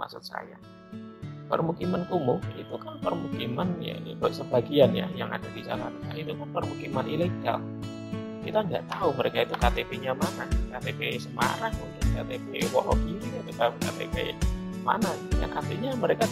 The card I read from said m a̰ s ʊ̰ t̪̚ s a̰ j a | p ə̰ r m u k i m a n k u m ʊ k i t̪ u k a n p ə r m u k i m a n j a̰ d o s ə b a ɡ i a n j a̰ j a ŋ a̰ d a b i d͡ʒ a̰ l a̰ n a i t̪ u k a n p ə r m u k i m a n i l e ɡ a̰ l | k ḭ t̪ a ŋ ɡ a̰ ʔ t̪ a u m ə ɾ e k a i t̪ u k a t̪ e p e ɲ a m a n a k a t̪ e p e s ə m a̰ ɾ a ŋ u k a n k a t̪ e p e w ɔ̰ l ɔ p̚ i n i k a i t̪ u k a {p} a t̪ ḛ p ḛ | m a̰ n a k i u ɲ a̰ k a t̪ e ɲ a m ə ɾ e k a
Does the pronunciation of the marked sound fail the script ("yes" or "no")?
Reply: yes